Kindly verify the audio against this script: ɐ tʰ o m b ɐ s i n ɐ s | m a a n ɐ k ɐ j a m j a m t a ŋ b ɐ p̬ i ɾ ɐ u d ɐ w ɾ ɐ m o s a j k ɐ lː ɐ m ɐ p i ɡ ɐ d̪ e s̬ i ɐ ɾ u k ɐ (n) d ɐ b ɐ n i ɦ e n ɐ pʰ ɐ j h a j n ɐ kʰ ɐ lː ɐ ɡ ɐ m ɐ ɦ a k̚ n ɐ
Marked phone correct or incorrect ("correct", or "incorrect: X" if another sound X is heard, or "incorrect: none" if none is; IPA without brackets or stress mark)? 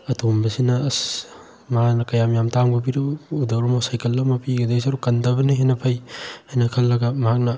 correct